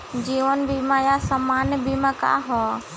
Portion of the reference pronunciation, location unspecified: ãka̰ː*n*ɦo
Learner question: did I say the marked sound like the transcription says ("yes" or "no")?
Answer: no